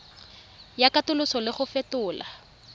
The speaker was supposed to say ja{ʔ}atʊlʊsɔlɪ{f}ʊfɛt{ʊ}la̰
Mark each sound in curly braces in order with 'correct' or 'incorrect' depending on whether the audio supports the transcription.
incorrect: k, incorrect: χ, incorrect: ʊː

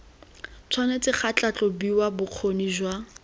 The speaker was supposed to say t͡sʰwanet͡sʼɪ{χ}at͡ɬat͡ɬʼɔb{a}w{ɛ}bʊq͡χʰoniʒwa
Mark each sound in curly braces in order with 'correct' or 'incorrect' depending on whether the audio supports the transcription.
correct, incorrect: i, incorrect: a

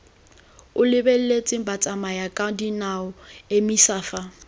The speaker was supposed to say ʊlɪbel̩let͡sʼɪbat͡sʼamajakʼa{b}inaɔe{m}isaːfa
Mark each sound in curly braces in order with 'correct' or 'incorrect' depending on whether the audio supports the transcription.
incorrect: d, correct

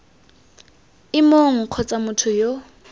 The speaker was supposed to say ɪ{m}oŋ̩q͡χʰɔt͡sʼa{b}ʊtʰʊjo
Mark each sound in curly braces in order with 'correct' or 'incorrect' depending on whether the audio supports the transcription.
correct, incorrect: m

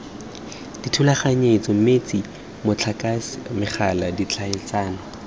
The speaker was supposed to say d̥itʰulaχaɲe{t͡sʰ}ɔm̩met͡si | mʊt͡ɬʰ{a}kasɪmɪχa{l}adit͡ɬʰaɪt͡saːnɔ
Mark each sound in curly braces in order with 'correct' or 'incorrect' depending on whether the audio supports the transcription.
incorrect: t͡s, correct, correct

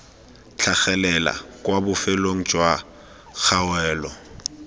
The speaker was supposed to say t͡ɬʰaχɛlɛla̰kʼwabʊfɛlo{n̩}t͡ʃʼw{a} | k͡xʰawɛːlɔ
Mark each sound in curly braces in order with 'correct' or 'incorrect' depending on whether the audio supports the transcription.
incorrect: ŋ̩, correct

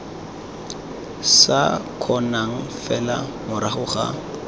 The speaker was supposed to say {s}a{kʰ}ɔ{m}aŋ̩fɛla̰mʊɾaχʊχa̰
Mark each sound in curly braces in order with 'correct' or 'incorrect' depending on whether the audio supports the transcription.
correct, correct, incorrect: n

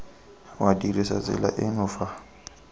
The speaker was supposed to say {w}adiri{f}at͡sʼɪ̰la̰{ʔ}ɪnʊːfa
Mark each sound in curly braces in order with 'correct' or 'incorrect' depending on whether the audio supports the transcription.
correct, incorrect: s, correct

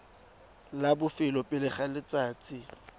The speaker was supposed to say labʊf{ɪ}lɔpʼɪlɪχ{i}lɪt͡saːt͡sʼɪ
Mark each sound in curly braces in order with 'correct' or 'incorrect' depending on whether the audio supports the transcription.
correct, incorrect: a

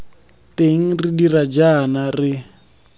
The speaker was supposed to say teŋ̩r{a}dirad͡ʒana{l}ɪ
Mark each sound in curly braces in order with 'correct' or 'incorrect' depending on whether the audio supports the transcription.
incorrect: i, incorrect: r

